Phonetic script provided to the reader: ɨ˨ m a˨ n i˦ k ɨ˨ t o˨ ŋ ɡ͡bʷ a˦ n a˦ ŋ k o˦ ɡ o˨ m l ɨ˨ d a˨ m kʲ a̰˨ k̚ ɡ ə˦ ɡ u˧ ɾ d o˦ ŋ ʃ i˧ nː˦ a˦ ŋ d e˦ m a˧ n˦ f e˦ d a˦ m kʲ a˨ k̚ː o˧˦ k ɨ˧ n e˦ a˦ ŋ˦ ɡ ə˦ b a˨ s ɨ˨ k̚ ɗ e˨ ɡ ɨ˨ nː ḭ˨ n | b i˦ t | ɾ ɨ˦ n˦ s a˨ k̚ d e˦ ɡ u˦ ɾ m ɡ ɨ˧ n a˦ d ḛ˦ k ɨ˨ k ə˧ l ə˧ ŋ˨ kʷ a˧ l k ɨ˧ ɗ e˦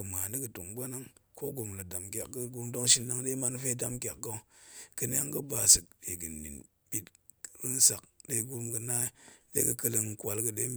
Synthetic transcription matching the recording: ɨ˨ m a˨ n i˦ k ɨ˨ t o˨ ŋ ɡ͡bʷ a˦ n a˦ ŋ k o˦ ɡ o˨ m l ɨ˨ d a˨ m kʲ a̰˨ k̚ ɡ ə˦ ɡ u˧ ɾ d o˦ ŋ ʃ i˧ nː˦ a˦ ŋ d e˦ m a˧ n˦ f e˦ d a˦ m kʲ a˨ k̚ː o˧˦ k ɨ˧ n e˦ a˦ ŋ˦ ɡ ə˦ b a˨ s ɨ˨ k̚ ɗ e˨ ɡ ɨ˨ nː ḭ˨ n | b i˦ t | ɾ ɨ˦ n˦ s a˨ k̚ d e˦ ɡ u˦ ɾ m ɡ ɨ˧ n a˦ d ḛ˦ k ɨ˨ k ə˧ l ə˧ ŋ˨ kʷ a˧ l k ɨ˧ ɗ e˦